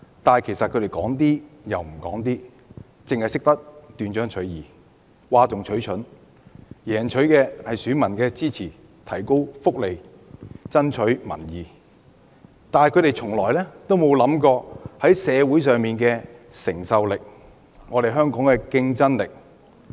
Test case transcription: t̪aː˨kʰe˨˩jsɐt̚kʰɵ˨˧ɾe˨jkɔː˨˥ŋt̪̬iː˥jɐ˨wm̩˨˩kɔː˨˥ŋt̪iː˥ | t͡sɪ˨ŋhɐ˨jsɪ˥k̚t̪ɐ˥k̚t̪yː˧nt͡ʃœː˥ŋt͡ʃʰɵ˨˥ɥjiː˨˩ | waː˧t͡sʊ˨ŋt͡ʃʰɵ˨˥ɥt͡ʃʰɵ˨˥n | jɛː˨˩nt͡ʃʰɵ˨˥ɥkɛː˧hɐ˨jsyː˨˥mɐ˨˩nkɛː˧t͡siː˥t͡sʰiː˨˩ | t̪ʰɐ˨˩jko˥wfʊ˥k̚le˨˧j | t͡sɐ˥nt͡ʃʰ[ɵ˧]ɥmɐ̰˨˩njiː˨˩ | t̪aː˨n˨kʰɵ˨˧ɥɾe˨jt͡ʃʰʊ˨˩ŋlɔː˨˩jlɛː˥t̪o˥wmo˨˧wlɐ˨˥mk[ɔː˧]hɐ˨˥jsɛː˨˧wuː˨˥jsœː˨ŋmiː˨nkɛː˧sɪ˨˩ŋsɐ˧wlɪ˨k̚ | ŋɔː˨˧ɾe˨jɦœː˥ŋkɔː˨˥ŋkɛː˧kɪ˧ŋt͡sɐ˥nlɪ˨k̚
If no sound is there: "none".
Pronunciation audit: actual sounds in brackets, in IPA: ɵ˨˥, ɔː˧

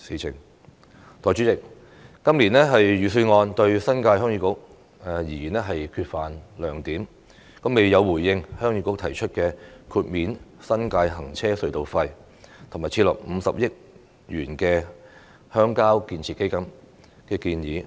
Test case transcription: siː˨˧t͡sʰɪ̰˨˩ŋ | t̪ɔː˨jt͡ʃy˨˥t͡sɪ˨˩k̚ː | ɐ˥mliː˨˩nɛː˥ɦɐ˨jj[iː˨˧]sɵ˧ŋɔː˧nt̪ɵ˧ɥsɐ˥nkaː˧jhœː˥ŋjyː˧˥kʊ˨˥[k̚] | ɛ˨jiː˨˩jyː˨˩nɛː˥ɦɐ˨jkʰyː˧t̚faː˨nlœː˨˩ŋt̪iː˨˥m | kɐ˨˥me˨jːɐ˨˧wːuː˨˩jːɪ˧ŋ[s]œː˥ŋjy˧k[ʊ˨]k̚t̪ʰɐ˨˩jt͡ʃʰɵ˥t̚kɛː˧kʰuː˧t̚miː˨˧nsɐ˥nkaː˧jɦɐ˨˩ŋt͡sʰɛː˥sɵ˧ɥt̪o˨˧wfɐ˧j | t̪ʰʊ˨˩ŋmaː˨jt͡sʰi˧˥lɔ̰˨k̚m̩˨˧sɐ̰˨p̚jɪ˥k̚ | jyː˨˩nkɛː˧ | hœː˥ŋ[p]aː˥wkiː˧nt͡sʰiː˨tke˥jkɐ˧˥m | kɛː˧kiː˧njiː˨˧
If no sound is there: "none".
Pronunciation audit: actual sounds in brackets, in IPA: yː˨˧, k̚, h, ʊ˧˥, k

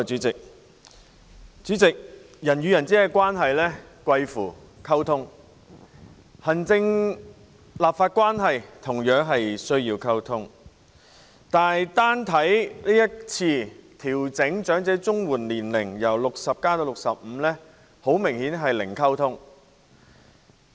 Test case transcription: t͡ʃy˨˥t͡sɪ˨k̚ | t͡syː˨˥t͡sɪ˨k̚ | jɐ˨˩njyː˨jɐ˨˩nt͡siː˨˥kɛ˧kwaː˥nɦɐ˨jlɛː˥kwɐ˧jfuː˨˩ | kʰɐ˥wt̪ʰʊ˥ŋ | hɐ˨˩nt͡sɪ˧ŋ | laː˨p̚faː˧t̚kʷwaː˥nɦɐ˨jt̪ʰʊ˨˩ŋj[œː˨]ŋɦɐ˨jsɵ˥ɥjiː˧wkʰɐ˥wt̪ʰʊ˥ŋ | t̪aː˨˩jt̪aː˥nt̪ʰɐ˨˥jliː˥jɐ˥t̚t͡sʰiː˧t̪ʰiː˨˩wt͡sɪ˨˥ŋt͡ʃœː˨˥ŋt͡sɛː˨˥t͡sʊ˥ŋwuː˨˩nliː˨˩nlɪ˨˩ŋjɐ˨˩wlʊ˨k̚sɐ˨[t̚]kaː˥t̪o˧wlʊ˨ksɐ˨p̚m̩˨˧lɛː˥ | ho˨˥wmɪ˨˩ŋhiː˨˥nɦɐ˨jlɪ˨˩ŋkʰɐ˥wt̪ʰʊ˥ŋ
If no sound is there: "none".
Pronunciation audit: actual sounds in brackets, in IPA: œː˨˥, p̚

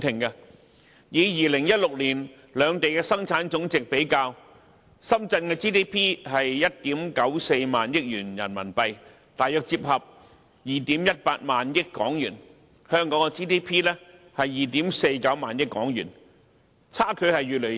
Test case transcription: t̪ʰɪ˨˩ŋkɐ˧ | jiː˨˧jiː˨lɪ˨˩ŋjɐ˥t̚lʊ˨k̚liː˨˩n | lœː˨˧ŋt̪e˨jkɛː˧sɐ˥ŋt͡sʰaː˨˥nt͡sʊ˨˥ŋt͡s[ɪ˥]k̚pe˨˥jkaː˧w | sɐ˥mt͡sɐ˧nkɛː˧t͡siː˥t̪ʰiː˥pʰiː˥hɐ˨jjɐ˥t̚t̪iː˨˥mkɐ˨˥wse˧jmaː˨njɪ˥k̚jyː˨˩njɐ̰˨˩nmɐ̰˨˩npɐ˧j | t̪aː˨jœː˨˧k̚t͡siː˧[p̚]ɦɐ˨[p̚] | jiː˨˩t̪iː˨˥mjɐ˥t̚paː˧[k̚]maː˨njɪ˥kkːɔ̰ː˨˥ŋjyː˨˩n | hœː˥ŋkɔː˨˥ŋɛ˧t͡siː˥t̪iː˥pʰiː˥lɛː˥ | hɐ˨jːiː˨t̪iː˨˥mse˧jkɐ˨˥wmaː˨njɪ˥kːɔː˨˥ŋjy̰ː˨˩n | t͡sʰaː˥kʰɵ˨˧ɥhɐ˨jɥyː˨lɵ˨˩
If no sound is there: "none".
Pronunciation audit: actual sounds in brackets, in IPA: ɪ˨, p̚, p̚, t̚

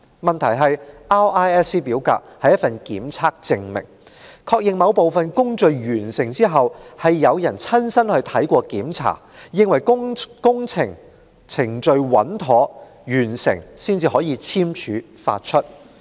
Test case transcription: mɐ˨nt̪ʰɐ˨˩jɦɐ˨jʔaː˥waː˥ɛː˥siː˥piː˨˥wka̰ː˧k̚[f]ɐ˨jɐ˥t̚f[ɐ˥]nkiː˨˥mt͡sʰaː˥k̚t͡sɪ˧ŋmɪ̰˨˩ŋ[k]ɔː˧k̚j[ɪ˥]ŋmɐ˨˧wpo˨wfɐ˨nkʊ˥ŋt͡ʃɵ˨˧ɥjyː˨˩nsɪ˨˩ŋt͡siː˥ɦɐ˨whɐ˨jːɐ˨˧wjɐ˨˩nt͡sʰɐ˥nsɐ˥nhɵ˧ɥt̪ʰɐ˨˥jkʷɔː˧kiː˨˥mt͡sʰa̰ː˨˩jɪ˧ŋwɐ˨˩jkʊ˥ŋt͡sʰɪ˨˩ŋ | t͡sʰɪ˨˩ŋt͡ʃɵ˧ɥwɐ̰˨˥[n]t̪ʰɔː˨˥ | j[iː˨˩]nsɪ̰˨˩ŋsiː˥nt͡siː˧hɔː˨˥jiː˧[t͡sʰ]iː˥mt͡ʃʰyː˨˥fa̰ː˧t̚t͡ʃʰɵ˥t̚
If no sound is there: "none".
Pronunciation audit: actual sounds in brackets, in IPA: h, ɐ˨, kʰ, ɪ˨, n, yː˨˩, t͡sʰ

